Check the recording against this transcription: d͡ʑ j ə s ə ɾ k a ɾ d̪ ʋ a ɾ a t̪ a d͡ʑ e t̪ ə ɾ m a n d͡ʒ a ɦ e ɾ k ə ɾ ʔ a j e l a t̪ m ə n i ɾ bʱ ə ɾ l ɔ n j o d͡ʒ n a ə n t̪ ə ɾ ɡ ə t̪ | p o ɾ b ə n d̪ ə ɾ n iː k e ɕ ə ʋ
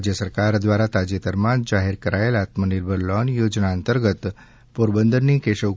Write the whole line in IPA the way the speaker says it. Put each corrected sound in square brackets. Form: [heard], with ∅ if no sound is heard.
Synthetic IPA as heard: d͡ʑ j ə s ə ɾ k a ɾ d̪ ʋ a ɾ a t̪ a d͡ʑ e t̪ ə ɾ m a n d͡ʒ a ɦ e ɾ k ə ɾ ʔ a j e l a t̪ m ə n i ɾ bʱ ə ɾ l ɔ n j o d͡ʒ n a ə n t̪ ə ɾ ɡ ə t̪ | p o ɾ b ə n d̪ ə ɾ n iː k e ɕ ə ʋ